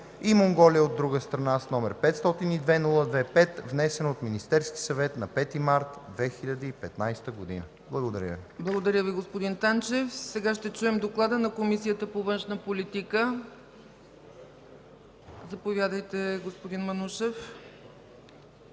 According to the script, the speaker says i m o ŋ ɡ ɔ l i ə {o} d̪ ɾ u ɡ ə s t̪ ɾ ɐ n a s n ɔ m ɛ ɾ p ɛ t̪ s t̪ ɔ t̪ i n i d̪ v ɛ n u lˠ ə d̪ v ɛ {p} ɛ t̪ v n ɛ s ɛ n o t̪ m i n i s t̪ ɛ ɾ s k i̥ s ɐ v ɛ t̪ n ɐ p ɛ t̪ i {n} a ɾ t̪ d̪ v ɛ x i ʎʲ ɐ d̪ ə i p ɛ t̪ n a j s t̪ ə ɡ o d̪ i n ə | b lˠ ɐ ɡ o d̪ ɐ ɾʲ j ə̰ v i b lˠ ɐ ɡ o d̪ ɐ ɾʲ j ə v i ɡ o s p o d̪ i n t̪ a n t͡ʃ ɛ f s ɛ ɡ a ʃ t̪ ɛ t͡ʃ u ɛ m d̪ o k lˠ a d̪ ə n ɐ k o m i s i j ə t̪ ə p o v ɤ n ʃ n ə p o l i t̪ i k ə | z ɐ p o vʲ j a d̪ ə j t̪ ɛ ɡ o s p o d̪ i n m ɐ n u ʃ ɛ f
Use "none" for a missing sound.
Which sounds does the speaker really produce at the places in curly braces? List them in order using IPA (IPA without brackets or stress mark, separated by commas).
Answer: o, p, m